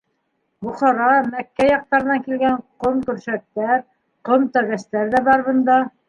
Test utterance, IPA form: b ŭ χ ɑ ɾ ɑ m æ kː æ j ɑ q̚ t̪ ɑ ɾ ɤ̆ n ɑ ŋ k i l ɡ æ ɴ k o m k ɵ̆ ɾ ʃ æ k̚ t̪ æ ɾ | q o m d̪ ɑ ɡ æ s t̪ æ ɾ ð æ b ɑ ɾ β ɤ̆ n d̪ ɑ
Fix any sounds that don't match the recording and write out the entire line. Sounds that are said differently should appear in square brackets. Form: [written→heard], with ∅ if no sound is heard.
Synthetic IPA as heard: b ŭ χ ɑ ɾ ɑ m æ kː æ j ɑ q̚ t̪ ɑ ɾ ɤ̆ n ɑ ŋ k i l ɡ æ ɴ [k→q] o m k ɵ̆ ɾ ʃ æ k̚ t̪ æ ɾ | q o m [d̪→t̪] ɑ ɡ æ s t̪ æ ɾ ð æ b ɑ ɾ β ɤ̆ n d̪ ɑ